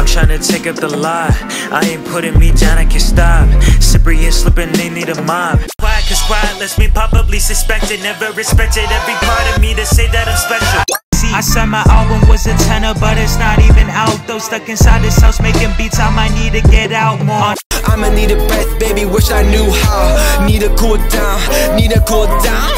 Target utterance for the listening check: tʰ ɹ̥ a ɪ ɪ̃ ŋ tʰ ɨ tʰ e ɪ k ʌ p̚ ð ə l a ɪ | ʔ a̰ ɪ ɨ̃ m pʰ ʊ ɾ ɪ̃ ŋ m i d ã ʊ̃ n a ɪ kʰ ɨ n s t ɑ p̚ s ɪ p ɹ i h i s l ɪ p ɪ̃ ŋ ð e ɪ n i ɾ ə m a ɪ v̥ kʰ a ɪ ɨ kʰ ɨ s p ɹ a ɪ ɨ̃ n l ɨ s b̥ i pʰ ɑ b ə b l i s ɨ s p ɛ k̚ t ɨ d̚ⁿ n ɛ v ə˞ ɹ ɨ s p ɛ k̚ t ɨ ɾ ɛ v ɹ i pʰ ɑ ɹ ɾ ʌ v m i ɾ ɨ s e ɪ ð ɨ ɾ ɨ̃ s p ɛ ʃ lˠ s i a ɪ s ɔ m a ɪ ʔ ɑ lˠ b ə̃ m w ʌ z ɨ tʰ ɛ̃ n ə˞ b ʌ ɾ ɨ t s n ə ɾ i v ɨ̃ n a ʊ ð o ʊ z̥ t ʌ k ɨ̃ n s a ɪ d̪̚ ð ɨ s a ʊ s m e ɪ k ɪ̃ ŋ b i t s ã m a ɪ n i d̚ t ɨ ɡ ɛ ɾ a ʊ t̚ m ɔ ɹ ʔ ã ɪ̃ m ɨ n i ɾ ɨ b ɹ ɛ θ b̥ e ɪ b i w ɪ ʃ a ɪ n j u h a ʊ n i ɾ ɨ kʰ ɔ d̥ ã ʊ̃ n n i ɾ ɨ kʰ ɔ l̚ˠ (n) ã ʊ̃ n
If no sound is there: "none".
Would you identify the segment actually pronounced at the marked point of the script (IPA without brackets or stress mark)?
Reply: d